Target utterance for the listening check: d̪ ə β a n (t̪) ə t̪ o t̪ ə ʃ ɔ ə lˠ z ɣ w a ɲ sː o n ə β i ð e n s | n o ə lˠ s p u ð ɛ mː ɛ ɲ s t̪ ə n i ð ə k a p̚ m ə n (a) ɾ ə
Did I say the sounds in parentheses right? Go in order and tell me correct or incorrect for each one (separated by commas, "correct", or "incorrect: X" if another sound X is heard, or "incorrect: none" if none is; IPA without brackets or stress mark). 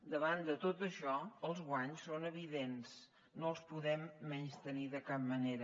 incorrect: d̪, incorrect: e